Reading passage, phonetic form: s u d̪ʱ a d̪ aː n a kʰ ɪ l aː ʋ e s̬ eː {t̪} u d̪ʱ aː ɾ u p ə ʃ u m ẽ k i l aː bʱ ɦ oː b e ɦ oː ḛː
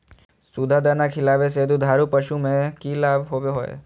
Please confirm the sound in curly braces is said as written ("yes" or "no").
no